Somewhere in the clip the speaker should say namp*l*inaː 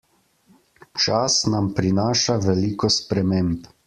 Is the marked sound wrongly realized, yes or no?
yes